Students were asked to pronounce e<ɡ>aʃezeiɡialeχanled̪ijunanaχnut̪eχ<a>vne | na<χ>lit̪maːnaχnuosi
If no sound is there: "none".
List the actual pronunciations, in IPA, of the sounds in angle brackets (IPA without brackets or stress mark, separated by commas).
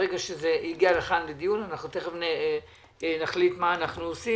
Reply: ɡ, e, χ